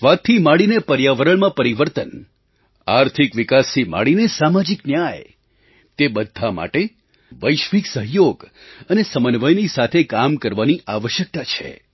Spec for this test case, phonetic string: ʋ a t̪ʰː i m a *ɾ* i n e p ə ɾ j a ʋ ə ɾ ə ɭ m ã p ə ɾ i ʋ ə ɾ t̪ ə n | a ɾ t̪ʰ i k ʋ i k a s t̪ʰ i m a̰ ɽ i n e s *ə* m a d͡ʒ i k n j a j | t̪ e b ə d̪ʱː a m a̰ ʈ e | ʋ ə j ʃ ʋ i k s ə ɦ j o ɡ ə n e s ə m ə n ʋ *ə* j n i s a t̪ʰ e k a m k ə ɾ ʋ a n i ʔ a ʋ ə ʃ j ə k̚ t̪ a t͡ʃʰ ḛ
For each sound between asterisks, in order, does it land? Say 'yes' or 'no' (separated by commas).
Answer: no, no, yes